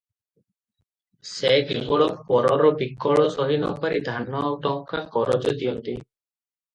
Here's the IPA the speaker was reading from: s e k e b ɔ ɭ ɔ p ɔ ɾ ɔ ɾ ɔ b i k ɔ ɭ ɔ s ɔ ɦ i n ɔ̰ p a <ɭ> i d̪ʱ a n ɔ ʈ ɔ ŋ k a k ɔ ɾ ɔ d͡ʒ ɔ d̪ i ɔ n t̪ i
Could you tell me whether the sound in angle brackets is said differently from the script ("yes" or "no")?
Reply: yes